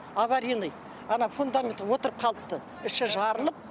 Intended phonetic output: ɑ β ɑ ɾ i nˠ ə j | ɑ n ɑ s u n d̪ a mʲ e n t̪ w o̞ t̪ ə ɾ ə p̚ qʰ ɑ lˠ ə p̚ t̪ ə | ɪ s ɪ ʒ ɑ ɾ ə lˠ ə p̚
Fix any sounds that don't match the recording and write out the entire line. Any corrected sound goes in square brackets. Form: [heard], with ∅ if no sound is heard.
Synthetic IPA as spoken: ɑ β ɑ ɾ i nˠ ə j | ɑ n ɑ [f] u n d̪ a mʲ e n t̪ w o̞ t̪ ə ɾ ə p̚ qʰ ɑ lˠ ə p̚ t̪ ə | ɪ [ʃ] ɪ ʒ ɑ ɾ ə lˠ ə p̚